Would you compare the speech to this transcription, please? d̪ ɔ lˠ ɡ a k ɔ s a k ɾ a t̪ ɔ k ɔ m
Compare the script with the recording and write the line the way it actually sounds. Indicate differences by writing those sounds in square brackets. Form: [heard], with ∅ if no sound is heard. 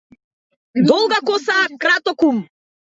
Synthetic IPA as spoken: d̪ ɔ lˠ ɡ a k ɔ s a k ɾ a t̪ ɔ k [u] m